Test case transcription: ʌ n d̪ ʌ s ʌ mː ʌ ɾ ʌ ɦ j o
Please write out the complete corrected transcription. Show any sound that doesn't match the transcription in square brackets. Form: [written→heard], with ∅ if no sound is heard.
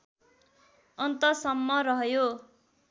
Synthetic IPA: ʌ n [d̪→t̪] ʌ s ʌ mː ʌ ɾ ʌ ɦ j o